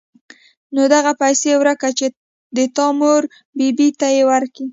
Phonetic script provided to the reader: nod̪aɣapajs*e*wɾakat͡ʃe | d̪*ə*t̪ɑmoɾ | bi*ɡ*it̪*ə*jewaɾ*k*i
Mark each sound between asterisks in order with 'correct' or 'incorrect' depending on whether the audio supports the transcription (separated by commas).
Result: correct, correct, incorrect, incorrect, correct